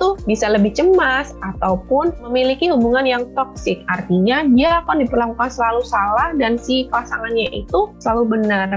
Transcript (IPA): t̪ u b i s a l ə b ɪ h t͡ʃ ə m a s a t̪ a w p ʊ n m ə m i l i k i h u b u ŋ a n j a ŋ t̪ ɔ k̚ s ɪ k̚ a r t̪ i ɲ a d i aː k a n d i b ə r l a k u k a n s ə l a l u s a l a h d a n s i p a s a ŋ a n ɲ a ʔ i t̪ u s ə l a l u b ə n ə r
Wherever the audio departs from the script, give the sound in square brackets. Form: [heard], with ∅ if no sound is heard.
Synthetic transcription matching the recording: t̪ u b i s a l ə b ɪ h t͡ʃ ə m a s a t̪ a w p ʊ n m ə m i l i k i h u b u ŋ a n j a ŋ t̪ ɔ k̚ s ɪ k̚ a r t̪ i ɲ a d i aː k a n d i [p] ə r l a k u k a n s ə l a l u s a l a h d a n s i p a s a ŋ a n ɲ a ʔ i t̪ u s ə l a l u b ə n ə r